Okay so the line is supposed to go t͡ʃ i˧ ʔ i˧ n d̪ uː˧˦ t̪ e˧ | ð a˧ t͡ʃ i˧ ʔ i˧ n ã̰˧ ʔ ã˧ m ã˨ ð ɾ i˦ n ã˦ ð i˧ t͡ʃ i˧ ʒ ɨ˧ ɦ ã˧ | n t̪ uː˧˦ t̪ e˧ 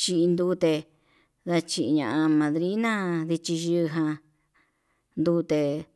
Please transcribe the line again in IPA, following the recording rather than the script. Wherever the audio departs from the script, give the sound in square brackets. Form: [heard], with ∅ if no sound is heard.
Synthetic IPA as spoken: t͡ʃ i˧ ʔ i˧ n d̪ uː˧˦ t̪ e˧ | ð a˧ t͡ʃ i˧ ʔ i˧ [ɲ] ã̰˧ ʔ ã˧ m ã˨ ð ɾ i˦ n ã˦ ð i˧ t͡ʃ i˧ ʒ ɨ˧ ɦ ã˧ | n [d̪] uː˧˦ t̪ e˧

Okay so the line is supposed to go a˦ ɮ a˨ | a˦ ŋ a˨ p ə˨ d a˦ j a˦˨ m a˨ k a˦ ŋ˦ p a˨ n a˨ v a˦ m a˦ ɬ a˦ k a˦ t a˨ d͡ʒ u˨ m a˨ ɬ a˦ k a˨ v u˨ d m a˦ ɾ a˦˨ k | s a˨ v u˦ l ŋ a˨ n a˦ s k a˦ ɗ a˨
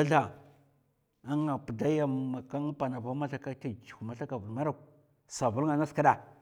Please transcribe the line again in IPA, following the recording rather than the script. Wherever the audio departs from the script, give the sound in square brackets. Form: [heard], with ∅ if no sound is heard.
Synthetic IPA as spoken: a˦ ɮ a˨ | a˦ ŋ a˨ p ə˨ d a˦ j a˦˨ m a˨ k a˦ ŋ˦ p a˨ n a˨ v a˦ m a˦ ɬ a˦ k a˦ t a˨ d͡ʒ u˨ m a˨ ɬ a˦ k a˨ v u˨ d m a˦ ɾ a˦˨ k | s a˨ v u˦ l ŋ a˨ n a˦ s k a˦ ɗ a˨

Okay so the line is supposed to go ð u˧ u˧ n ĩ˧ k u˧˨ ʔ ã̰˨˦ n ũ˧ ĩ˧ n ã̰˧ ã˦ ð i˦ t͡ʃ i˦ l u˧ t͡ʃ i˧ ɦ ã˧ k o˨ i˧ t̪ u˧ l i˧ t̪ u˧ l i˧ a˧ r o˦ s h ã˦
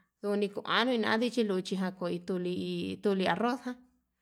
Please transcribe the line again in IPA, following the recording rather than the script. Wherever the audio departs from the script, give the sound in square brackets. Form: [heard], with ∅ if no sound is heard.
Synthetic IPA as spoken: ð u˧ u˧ n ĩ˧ k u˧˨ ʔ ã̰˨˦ n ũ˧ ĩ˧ n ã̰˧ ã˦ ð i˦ t͡ʃ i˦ l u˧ t͡ʃ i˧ ɦ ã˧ k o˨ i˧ t̪ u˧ l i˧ t̪ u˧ l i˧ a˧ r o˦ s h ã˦

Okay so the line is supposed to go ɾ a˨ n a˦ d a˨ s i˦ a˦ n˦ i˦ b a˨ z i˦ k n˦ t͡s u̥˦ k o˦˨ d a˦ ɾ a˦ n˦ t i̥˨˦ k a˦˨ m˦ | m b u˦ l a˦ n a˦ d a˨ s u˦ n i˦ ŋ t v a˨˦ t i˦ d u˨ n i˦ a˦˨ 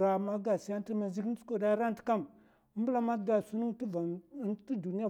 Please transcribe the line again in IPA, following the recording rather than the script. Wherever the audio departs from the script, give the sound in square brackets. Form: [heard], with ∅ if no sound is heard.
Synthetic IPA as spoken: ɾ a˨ [m] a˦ [ɡ] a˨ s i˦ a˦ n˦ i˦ [m] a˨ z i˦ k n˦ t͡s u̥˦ k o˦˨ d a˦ ɾ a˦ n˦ t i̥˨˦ k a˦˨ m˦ | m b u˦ l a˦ [m] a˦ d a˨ s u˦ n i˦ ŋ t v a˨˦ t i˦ d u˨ n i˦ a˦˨

